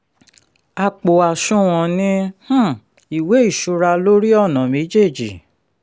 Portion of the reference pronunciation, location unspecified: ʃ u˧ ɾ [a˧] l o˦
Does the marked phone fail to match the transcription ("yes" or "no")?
no